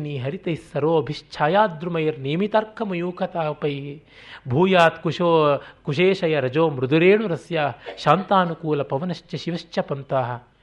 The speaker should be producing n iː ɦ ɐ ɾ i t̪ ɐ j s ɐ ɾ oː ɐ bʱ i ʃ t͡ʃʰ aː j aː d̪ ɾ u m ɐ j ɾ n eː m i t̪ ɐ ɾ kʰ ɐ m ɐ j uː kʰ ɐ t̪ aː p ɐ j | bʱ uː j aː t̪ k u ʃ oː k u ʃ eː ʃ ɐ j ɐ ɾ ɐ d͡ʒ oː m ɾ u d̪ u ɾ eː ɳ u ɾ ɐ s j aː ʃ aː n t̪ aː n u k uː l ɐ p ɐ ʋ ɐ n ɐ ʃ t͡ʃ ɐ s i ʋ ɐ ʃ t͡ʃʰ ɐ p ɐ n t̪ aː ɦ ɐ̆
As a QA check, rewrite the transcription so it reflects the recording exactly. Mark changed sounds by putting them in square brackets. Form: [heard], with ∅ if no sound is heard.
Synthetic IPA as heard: n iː ɦ ɐ ɾ i t̪ ɐ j s ɐ ɾ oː ɐ bʱ i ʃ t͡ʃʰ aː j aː d̪ ɾ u m ɐ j ɾ n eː m i t̪ ɐ ɾ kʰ ɐ m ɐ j uː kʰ ɐ t̪ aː p ɐ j | bʱ uː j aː t̪ k u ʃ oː k u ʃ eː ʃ ɐ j ɐ ɾ ɐ d͡ʒ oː m ɾ u d̪ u ɾ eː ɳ u ɾ ɐ s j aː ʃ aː n t̪ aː n u k uː l ɐ p ɐ ʋ ɐ n ɐ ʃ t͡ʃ ɐ [ʃ] i ʋ ɐ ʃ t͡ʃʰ ɐ p ɐ n t̪ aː ɦ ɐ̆